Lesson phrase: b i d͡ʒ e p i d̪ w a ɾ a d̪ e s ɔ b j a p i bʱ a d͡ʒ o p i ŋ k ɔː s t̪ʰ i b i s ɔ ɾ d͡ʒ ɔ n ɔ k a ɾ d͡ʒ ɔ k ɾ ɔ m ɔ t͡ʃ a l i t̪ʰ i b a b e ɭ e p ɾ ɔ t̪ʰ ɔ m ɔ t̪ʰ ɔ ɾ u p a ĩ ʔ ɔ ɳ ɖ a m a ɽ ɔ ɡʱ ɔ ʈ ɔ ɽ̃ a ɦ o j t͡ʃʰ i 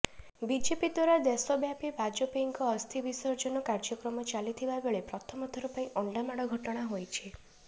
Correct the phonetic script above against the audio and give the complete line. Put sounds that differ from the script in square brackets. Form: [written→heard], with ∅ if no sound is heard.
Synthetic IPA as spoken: b i d͡ʒ e p i d̪ w a ɾ a d̪ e s ɔ b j a p i bʱ a d͡ʒ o p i ŋ k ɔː s t̪ʰ i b i s ɔ ɾ d͡ʒ ɔ n ɔ k a ɾ d͡ʒ ɔ k ɾ ɔ m ɔ t͡ʃ a l i t̪ʰ i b a b e ɭ e p ɾ ɔ t̪ʰ ɔ m ɔ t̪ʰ ɔ ɾ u p a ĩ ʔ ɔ ɳ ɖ a m a ɽ ɔ ɡʱ ɔ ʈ ɔ ɽ̃ a ɦ o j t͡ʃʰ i